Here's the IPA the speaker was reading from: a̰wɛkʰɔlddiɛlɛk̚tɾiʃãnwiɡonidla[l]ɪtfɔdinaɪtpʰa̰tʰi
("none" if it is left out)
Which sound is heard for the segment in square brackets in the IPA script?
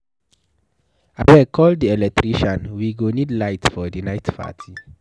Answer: none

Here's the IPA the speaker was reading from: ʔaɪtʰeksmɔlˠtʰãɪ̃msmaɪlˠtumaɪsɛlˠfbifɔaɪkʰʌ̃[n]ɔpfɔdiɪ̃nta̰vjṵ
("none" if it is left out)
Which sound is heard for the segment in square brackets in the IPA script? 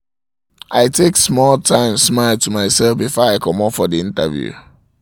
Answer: m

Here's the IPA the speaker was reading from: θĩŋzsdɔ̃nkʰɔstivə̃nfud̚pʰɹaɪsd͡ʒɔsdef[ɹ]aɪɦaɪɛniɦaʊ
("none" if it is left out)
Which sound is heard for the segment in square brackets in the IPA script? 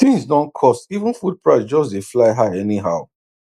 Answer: l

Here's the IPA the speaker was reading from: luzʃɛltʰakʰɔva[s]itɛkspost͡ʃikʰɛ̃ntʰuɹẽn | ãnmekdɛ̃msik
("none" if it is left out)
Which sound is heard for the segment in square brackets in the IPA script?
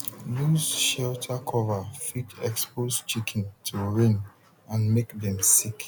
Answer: f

